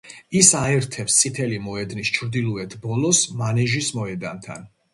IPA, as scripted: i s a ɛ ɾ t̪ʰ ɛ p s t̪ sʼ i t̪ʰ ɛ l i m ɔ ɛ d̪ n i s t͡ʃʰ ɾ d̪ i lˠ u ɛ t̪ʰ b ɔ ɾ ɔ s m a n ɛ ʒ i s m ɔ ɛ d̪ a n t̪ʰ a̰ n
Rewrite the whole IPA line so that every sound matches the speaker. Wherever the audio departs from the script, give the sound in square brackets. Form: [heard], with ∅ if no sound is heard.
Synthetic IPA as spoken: i s a ɛ ɾ t̪ʰ ɛ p s t̪ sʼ i t̪ʰ ɛ l i m ɔ ɛ d̪ n i s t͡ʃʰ ɾ d̪ i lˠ u ɛ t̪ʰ b ɔ [l] ɔ s m a n ɛ ʒ i s m ɔ ɛ d̪ a n t̪ʰ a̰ n

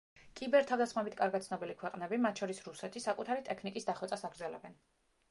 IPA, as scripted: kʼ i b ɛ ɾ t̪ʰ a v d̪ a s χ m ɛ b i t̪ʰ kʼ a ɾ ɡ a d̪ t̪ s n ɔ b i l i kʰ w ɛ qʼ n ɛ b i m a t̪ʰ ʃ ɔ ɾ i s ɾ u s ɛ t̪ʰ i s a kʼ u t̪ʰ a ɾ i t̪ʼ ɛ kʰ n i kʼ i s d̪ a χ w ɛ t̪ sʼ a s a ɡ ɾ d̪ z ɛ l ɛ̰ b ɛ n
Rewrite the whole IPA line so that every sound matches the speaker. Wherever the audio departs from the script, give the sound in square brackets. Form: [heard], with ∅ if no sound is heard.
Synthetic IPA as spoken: kʼ i b ɛ ɾ t̪ʰ a v d̪ a s χ m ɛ b i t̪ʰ kʼ a ɾ ɡ a [t̪] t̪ s n ɔ b i l i kʰ w ɛ qʼ n ɛ b i m a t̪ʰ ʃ ɔ ɾ i s ɾ u s ɛ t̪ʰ i s a kʼ u t̪ʰ a ɾ i t̪ʼ ɛ kʰ n i kʼ i s d̪ a χ w ɛ t̪ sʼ a s a ɡ ɾ d̪ z ɛ l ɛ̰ b ɛ n

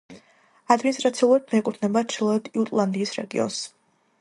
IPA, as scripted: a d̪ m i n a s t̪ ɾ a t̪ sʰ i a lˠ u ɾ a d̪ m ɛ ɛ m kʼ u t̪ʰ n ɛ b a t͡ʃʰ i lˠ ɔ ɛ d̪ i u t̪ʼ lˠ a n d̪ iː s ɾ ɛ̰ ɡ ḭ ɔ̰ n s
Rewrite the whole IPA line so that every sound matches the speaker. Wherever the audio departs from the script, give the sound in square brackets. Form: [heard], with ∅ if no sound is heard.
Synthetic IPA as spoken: a d̪ m i n [i] s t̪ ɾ a t̪ sʰ i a lˠ u ɾ a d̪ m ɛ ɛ [∅] kʼ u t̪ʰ n ɛ b a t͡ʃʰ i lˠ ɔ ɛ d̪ i u t̪ʼ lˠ a n d̪ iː s ɾ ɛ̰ ɡ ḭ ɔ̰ n s

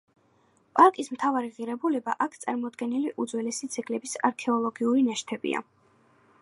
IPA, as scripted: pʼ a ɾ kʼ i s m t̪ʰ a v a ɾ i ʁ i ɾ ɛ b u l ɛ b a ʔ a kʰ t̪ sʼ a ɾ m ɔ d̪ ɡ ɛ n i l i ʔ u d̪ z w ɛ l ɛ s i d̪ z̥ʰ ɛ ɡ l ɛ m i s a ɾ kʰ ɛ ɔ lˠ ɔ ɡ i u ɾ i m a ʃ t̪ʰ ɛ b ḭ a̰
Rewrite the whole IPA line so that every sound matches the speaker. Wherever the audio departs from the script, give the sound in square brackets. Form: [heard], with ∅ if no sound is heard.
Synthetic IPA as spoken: pʼ a ɾ kʼ i s m t̪ʰ a v a ɾ i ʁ i ɾ ɛ b u l ɛ b a ʔ a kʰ t̪ sʼ a ɾ m ɔ d̪ ɡ ɛ n i l i ʔ u d̪ z w ɛ l ɛ s i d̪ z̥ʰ ɛ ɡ l ɛ [b] i s a ɾ kʰ ɛ ɔ lˠ ɔ ɡ i u ɾ i [n] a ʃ t̪ʰ ɛ b ḭ a̰

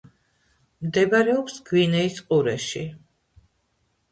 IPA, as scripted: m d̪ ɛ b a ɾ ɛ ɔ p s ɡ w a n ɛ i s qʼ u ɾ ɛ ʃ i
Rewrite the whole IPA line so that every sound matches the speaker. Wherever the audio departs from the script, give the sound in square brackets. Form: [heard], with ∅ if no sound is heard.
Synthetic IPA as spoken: m d̪ ɛ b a ɾ ɛ ɔ p s ɡ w [i] n ɛ i s qʼ u ɾ ɛ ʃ i

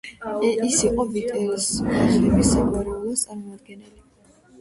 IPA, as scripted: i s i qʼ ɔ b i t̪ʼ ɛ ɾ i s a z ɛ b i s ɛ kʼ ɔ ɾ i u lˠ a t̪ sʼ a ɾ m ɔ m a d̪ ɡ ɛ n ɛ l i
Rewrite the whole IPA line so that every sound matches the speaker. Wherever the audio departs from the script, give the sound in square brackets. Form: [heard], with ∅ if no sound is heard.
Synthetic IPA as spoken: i s i qʼ ɔ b i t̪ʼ ɛ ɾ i s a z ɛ b i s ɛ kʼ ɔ ɾ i u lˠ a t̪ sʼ a ɾ m ɔ m a d̪ ɡ ɛ n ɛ l i

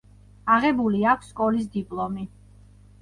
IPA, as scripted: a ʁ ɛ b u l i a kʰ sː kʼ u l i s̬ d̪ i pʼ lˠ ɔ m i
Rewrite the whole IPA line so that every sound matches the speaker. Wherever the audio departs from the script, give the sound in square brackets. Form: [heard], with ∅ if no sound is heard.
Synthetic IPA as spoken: a ʁ ɛ b u l i a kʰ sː kʼ [ɔ] l i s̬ d̪ i pʼ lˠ ɔ m i

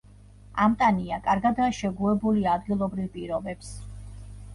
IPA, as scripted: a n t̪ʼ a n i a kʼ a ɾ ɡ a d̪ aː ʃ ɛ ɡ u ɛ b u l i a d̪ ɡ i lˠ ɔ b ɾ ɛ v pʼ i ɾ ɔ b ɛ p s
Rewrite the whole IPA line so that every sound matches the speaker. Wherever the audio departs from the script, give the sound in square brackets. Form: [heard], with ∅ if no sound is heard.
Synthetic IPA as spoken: a [m] t̪ʼ a n i a kʼ a ɾ ɡ a d̪ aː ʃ ɛ ɡ u ɛ b u l i a d̪ ɡ i lˠ ɔ b ɾ [i] v pʼ i ɾ ɔ b ɛ p s

